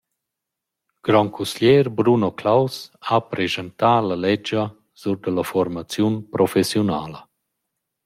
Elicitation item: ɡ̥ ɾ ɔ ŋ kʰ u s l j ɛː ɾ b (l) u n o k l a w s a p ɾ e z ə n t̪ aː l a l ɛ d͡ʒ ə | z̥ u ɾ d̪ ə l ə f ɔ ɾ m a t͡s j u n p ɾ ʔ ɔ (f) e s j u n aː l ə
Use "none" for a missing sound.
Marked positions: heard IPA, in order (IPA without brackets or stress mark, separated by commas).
ɾ, f